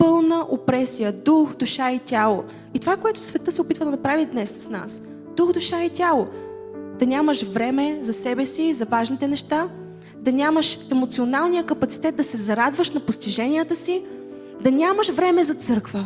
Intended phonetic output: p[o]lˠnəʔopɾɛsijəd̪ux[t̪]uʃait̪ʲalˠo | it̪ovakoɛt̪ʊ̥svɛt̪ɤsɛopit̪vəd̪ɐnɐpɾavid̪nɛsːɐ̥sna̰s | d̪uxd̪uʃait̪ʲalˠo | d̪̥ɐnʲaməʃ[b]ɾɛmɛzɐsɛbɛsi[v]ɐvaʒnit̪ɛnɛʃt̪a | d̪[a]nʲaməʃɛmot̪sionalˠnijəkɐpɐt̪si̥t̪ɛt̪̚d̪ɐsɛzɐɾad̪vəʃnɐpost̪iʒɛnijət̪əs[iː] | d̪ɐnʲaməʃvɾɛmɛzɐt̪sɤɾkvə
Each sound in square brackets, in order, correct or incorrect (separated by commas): incorrect, incorrect, incorrect, incorrect, incorrect, incorrect